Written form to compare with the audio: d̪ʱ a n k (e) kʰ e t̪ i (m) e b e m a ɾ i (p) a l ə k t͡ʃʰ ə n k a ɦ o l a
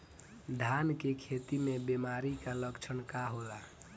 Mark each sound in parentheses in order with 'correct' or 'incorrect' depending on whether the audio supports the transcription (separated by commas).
correct, correct, incorrect